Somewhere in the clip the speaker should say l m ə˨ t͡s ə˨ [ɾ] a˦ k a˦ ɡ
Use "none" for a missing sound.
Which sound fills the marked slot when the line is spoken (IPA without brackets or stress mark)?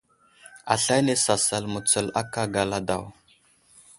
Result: l